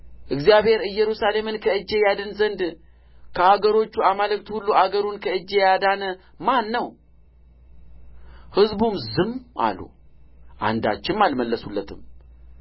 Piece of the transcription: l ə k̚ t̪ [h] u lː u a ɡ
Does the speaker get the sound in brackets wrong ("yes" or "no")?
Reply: no